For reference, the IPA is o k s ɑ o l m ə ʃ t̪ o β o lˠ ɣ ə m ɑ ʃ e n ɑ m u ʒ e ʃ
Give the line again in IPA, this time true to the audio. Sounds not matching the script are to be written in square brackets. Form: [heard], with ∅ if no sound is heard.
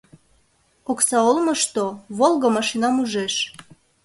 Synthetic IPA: o k s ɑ o l m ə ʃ t̪ o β o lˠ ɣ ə m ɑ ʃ [i] n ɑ m u ʒ e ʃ